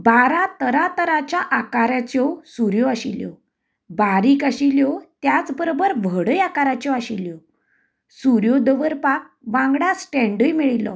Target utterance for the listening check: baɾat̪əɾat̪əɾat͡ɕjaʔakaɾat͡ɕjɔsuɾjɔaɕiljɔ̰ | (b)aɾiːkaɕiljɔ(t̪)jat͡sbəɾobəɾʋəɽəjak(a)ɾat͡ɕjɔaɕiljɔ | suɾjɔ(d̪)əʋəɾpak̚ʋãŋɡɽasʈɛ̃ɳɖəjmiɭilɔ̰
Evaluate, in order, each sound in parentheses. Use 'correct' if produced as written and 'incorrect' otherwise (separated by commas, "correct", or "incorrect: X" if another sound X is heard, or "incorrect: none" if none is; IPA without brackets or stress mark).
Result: correct, correct, correct, correct